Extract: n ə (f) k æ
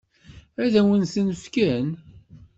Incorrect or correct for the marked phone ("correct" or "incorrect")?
correct